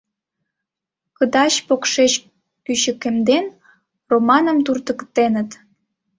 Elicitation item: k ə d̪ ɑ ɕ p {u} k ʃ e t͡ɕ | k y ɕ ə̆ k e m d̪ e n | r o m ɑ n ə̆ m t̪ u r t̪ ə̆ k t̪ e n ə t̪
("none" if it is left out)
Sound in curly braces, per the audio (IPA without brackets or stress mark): o